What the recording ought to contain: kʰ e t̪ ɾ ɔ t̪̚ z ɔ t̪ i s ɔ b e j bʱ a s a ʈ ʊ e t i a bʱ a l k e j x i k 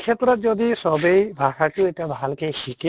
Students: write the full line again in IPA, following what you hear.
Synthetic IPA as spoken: kʰ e t̪ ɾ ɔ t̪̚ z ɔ d̪ i s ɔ b e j bʱ a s a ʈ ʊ e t i a bʱ a l k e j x i k